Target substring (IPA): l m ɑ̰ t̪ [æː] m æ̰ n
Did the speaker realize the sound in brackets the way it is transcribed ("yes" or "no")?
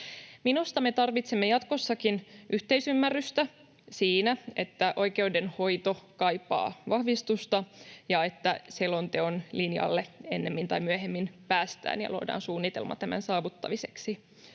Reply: no